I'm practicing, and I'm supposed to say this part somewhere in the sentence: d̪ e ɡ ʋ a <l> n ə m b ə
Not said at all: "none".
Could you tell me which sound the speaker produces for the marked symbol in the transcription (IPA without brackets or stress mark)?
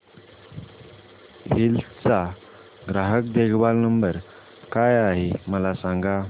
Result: l